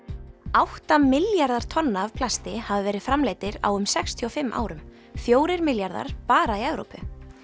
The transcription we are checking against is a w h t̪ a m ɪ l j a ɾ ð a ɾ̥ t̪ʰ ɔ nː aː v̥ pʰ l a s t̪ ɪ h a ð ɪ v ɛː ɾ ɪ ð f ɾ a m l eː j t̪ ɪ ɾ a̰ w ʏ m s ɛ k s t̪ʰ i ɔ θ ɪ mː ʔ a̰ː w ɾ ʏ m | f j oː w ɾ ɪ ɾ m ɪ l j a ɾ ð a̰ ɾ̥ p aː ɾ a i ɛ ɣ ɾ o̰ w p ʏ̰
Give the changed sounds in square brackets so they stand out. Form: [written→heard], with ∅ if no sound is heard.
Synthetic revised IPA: a w h t̪ a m ɪ l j a ɾ ð a ɾ̥ t̪ʰ ɔ nː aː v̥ pʰ l a s t̪ ɪ h a [ð→v] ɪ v ɛː ɾ ɪ ð f ɾ a m l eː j t̪ ɪ ɾ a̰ w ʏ m s ɛ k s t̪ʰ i ɔ [θ→f] ɪ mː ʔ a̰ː w ɾ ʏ m | f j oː w ɾ ɪ ɾ m ɪ l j a ɾ ð a̰ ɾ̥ p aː ɾ a i ɛ [ɣ→v] ɾ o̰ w p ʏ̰